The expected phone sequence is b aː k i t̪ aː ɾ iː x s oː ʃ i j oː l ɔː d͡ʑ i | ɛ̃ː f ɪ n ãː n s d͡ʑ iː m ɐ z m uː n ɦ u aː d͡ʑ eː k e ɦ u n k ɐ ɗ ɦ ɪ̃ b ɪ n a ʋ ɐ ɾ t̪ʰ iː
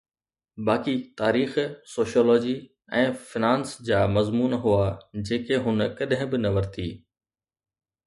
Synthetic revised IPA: b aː k i t̪ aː ɾ iː x s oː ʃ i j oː l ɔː d͡ʑ i | ɛ̃ː f ɪ n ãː n s d͡ʑ aː m ɐ z m uː n ɦ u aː d͡ʑ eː k e ɦ ʊ n k ɐ ɗ ɦ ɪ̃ b ɪ n ɐ ʋ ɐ ɾ t̪ʰ iː